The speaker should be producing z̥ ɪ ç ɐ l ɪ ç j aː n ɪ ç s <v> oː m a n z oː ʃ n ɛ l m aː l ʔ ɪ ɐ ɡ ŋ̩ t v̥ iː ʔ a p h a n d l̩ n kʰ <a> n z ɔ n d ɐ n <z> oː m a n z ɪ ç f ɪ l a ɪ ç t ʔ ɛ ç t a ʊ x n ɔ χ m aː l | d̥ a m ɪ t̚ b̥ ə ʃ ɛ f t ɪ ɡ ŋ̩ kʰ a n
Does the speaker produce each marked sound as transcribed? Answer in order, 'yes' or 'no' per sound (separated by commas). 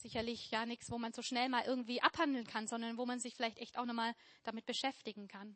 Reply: yes, yes, no